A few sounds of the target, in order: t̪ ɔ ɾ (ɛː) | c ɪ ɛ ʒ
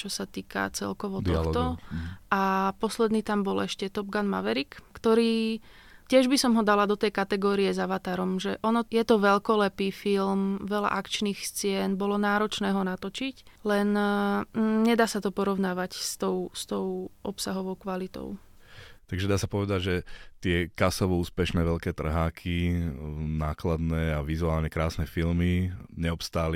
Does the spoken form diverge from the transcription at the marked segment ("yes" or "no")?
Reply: yes